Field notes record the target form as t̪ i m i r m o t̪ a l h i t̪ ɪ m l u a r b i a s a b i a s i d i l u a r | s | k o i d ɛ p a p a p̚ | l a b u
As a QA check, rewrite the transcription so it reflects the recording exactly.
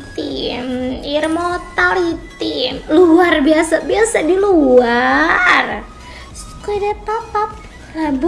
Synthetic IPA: t̪ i m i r m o t̪ a l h i t̪ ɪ m l u a r b i a s a b i a s a d i l u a r | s | k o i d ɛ p a p a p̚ | l a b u